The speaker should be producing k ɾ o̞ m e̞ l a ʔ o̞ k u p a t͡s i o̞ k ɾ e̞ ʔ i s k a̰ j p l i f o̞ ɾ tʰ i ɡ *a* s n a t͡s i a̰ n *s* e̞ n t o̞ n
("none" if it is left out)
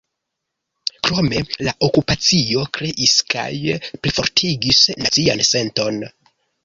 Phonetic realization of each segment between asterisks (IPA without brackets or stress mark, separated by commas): i, s